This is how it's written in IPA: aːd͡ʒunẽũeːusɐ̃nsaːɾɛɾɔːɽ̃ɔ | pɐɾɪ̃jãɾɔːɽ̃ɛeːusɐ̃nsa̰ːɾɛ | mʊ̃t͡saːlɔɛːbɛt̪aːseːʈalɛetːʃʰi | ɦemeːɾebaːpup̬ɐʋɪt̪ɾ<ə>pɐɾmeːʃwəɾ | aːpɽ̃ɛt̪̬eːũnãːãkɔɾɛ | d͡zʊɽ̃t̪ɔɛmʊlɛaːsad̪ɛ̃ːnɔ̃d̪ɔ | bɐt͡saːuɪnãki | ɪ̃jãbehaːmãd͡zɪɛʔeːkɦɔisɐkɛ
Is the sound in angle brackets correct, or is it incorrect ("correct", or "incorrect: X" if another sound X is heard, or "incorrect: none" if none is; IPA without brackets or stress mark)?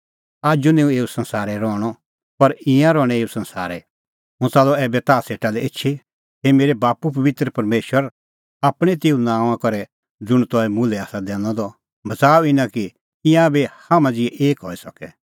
correct